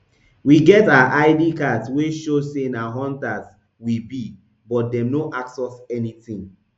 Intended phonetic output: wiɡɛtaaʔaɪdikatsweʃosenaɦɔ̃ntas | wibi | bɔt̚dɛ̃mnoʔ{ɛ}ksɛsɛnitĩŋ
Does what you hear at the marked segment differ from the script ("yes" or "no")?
yes